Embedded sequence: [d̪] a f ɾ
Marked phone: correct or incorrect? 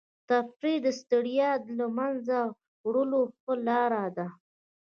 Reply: incorrect: t̪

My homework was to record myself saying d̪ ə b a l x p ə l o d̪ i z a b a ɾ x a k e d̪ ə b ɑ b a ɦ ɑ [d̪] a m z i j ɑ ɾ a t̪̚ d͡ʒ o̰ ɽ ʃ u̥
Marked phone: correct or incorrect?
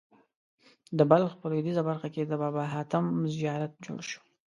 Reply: incorrect: t̪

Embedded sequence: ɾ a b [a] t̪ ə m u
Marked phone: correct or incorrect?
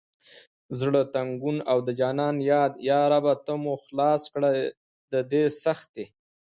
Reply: correct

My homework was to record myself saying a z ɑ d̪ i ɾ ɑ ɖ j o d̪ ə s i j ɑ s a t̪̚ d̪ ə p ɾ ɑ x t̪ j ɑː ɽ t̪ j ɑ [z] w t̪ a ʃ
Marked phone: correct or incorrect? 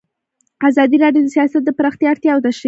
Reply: incorrect: none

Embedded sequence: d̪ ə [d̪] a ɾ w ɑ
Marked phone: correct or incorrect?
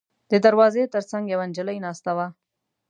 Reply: correct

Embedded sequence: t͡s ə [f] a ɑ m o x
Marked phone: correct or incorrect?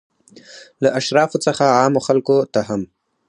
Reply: incorrect: x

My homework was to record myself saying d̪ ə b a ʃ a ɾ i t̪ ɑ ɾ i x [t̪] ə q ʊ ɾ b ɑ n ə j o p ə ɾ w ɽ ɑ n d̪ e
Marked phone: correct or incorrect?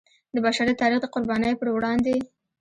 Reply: incorrect: d̪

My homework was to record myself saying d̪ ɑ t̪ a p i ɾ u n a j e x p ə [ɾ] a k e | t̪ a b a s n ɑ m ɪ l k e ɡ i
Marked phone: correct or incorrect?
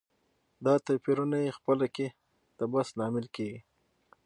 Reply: incorrect: l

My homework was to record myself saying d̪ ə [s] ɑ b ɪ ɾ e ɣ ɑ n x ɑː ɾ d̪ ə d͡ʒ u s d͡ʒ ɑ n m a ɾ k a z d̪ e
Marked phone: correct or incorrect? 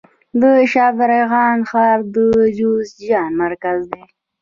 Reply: incorrect: ʃ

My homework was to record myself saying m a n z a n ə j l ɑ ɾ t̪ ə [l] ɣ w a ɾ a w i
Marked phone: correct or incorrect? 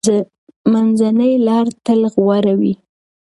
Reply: correct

